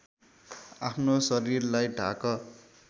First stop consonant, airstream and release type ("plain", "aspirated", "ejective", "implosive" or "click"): aspirated